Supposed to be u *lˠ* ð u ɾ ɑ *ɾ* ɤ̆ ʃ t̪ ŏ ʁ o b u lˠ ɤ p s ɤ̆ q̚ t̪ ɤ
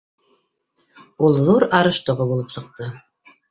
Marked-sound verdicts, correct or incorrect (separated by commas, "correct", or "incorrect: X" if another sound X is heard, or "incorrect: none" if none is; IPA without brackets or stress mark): correct, correct